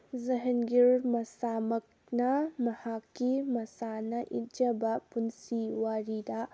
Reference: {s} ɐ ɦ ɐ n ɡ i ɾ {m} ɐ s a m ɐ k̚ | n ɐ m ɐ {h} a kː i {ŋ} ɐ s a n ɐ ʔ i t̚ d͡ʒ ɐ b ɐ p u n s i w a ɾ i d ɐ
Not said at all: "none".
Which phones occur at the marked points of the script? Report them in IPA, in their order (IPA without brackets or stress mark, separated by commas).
z, m, h, m